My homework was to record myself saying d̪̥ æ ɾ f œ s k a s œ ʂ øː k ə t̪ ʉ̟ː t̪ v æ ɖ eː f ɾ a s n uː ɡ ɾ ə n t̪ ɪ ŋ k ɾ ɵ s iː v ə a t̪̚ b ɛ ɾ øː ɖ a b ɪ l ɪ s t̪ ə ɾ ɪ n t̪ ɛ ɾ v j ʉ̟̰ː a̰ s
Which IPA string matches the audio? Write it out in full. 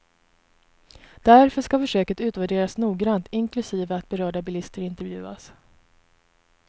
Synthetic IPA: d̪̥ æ ɾ f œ ʂ k a f œ ʂ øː k ə t̪ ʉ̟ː t̪ v æ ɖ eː ɾ a s n uː ɡ ɾ a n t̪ ɪ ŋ k l ɵ s iː v ə a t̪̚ b ɛ ɾ œː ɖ a b ɪ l ɪ s t̪ ə ɾ ɪ n t̪ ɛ ɾ v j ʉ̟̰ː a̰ s